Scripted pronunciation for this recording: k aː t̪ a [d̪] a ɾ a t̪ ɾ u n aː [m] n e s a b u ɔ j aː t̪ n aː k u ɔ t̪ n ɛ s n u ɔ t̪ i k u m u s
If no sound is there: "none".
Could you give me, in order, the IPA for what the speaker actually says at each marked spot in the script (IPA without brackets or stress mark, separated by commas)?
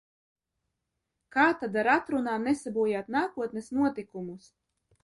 d̪, m